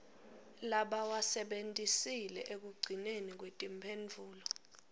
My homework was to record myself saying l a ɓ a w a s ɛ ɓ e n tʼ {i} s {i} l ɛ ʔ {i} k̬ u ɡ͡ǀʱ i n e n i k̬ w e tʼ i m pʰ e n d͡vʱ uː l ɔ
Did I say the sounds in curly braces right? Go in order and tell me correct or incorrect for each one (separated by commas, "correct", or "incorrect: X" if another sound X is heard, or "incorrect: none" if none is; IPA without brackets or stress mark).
correct, correct, incorrect: e